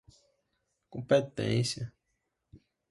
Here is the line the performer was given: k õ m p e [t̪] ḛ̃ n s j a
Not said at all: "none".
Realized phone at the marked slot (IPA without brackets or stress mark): t̪